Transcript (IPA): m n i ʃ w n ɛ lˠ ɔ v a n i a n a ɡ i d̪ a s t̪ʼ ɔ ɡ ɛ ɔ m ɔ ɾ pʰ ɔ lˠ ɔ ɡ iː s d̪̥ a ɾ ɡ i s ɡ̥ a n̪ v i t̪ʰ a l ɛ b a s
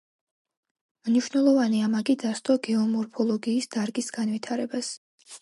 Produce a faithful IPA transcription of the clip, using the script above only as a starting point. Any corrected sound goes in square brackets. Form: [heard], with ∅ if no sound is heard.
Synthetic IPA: m n i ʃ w n ɛ lˠ ɔ v a n i a [m] a ɡ i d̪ a s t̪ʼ ɔ ɡ ɛ ɔ m ɔ ɾ pʰ ɔ lˠ ɔ ɡ iː s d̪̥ a ɾ ɡ i s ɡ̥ a n̪ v i t̪ʰ a [ɾ] ɛ b a s